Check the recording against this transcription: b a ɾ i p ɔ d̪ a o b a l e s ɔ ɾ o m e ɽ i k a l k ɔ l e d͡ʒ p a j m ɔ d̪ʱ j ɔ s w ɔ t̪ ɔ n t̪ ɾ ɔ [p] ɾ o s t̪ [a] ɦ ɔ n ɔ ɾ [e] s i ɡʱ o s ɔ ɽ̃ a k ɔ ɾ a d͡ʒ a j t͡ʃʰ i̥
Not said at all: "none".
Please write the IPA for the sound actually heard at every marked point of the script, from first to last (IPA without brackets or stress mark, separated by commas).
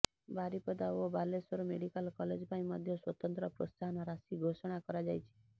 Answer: p, a, a